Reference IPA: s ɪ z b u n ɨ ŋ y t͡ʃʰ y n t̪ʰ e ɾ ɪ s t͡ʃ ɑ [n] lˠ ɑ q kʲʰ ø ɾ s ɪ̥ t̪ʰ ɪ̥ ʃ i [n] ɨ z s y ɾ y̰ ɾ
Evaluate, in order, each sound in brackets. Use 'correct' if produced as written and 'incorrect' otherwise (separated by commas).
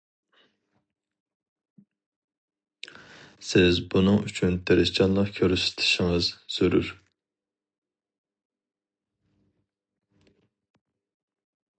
correct, incorrect